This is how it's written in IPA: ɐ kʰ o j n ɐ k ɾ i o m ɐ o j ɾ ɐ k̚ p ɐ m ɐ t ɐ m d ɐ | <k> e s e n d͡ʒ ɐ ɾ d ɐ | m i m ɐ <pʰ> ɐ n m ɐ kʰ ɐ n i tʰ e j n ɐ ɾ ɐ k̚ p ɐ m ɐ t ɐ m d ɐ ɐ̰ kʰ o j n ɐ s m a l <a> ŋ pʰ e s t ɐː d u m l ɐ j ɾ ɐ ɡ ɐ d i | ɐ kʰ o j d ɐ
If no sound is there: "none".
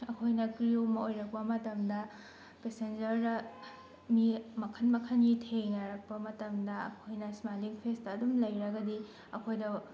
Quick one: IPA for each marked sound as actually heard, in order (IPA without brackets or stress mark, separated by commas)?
p, kʰ, i